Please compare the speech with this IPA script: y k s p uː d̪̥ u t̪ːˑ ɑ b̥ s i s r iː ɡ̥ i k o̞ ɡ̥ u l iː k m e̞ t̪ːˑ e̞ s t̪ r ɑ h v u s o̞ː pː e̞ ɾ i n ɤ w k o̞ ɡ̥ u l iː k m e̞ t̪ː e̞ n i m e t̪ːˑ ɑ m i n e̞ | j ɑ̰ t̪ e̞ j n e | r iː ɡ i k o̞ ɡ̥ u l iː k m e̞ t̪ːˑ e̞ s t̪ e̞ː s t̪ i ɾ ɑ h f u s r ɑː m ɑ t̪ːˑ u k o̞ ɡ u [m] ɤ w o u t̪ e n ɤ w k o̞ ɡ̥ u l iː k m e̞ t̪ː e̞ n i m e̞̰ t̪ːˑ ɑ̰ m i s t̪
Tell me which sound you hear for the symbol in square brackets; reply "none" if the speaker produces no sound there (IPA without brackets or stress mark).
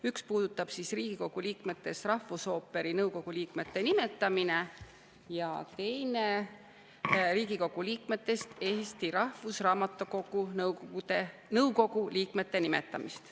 n